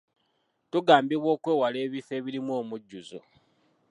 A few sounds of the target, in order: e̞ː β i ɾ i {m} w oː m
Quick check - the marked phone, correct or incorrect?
correct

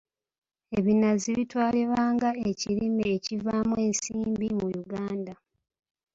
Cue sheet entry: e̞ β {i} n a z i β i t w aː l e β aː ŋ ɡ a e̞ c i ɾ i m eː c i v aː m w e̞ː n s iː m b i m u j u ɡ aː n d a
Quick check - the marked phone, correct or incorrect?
correct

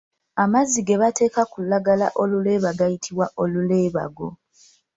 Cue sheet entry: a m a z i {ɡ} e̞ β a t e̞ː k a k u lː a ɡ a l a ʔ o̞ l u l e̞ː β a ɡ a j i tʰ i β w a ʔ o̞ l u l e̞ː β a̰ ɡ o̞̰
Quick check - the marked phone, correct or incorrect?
correct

